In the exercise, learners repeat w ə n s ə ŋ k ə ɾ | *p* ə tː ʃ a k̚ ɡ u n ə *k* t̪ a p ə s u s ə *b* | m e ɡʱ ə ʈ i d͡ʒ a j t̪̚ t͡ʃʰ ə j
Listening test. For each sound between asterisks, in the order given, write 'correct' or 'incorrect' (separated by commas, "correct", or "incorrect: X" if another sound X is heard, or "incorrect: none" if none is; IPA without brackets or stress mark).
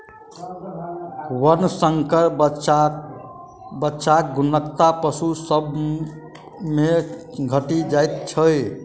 incorrect: b, correct, correct